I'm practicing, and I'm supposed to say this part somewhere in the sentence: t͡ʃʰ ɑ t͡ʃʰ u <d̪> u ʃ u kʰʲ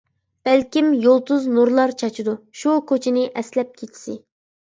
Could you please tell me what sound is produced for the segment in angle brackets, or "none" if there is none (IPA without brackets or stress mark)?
d̪